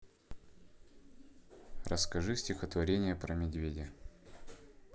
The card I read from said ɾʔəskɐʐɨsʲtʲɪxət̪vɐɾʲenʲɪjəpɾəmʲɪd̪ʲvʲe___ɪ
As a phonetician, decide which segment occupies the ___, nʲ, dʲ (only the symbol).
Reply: dʲ